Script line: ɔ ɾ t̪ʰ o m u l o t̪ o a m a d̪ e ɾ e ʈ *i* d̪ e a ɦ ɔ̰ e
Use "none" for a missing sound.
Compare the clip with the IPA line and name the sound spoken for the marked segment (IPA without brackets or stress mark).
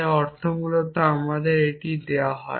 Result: i